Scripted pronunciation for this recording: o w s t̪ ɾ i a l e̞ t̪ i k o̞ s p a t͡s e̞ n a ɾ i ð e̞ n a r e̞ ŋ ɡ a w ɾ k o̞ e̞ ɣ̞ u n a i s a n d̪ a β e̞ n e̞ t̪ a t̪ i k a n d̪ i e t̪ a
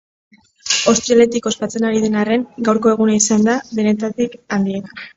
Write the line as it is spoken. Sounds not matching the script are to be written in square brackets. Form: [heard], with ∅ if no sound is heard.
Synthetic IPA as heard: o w s t̪ ɾ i a l e̞ t̪ i k o̞ s p a t͡s e̞ n a ɾ i ð e̞ n a r e̞ ŋ ɡ a w ɾ k o̞ e̞ ɣ̞ u n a i s a n d̪ a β e̞ n e̞ t̪ a t̪ i k a n d̪ i e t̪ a